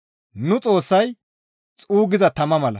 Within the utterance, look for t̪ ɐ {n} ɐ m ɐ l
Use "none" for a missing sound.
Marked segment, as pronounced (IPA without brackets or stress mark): m